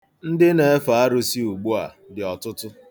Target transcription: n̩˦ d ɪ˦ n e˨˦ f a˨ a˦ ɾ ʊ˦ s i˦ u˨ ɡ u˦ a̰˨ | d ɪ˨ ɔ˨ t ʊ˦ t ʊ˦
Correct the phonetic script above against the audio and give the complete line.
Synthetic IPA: n̩˦ d ɪ˦ n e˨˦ f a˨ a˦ ɾ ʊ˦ s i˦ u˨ ɡ͡b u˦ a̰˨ | d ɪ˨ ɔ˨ t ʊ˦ t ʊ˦